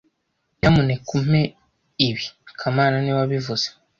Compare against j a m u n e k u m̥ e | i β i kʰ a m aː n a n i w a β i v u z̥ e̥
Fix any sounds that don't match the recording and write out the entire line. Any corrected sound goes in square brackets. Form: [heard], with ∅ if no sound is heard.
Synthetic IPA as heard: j a m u n e k u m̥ e | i β i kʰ a m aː n a n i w a β i v u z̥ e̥